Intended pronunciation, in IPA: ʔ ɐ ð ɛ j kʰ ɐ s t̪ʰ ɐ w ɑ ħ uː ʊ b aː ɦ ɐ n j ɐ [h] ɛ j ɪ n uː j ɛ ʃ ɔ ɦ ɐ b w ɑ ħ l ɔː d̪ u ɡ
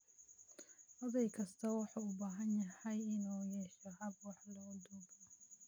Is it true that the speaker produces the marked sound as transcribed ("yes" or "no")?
yes